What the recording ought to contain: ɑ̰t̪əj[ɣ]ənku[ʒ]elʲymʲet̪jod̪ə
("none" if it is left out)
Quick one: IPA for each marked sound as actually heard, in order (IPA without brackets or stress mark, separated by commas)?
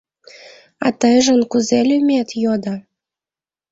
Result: ʒ, z